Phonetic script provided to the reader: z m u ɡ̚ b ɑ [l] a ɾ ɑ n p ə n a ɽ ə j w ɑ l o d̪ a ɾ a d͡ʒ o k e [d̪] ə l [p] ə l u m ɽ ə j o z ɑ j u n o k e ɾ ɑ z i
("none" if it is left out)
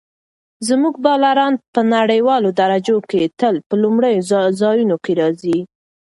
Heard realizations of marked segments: l, t̪, p

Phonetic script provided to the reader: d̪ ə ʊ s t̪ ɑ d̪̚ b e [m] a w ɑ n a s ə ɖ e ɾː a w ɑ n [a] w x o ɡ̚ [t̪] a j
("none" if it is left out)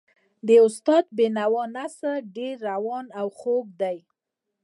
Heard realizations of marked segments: n, a, d̪

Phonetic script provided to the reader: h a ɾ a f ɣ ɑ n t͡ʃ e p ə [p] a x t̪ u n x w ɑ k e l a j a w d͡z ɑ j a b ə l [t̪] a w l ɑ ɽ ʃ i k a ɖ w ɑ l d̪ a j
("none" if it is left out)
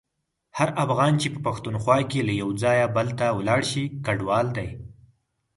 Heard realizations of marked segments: p, t̪

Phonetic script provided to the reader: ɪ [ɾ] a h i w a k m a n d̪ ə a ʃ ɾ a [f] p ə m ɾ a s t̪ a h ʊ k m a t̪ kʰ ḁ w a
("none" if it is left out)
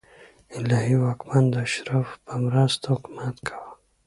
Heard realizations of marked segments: l, f

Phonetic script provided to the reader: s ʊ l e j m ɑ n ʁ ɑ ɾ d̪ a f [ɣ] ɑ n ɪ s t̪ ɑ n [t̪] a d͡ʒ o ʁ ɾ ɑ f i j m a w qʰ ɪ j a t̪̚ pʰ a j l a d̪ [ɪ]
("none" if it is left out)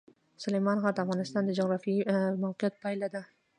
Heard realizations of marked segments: ʁ, d̪, ɪ

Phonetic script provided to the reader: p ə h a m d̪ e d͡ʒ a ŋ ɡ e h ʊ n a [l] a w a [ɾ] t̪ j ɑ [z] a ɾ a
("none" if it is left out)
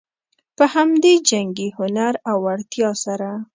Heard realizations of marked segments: ɾ, ɽ, s

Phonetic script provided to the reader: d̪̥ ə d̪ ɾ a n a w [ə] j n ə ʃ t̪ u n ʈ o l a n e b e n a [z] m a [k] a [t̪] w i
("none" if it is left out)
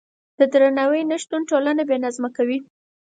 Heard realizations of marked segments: ə, z, k, none

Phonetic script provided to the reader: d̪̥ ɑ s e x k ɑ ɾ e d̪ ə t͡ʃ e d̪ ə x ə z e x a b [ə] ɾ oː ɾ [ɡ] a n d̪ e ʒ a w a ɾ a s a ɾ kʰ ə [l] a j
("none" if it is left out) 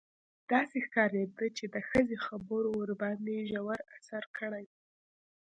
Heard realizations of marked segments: ə, b, ɽ

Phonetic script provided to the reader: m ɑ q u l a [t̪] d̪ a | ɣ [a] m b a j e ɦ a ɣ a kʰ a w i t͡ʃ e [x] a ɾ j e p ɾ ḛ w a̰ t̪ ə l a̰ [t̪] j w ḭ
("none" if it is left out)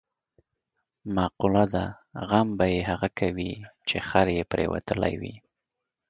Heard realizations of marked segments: none, a, x, none

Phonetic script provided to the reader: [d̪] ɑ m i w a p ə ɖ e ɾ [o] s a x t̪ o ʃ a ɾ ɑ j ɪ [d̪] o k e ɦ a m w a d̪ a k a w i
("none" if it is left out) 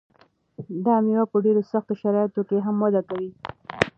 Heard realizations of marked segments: d̪, o, t̪

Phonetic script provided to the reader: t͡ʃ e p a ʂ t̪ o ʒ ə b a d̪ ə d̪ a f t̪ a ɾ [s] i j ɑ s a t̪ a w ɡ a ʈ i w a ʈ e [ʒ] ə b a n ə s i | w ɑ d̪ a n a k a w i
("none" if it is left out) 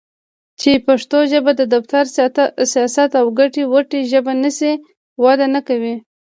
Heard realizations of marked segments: s, ʒ

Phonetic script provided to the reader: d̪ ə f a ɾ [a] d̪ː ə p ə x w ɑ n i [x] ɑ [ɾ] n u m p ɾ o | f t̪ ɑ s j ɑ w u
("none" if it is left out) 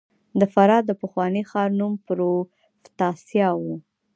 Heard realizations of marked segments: ɑ, x, ɾ

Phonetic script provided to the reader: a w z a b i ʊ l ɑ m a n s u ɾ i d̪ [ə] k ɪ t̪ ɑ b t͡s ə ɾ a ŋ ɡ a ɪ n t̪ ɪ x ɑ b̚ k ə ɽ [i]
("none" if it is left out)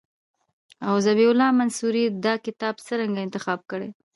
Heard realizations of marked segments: ɑ, e

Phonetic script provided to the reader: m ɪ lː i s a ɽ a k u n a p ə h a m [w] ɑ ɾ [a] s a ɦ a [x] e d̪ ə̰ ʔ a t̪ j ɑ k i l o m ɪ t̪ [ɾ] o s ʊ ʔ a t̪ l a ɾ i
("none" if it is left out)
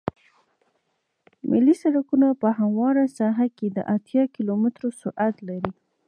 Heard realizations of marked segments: w, a, k, ɾ

